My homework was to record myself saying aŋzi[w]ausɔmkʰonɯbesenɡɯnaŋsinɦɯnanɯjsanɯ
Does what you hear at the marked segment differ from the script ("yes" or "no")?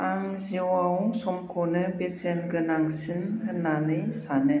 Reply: no